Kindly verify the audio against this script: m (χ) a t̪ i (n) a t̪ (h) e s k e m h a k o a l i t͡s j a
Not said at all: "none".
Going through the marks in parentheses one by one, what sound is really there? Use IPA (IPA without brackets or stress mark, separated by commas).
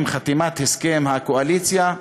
χ, m, h